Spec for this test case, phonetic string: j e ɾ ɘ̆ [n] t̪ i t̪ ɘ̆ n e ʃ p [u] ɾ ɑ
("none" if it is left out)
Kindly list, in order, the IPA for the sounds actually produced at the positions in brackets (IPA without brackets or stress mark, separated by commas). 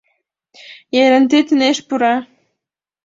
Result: n, u